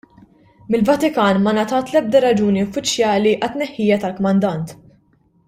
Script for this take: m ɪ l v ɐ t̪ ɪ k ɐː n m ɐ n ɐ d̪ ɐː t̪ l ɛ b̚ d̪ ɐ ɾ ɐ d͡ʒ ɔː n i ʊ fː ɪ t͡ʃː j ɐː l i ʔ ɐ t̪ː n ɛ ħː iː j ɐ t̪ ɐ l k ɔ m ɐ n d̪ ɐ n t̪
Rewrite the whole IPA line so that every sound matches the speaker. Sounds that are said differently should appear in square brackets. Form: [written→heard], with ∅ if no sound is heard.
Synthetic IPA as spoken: m ɪ l v ɐ t̪ ɪ k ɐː n m ɐ n ɐ [d̪→t̪] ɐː t̪ l ɛ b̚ d̪ ɐ ɾ ɐ d͡ʒ [ɔː→uː] n i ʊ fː ɪ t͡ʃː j ɐː l i ʔ ɐ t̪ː n ɛ ħː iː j ɐ t̪ ɐ l k ɔ m ɐ n d̪ ɐ n t̪